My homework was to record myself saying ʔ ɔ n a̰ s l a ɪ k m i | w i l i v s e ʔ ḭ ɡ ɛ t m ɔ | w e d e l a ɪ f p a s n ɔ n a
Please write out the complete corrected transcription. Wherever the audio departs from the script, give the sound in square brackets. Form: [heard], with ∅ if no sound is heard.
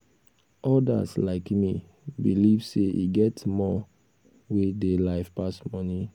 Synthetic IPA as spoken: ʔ ɔ [d] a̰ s l a ɪ k m i | [b] i l i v s e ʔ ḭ ɡ ɛ t m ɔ | w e d e l a ɪ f p a s [m] ɔ n [i]